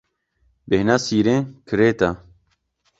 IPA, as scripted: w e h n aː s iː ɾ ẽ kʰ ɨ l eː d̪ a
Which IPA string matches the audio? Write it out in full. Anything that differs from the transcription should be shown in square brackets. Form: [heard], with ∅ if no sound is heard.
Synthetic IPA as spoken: [b] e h n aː s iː ɾ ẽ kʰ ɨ [ɾ] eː [t̪] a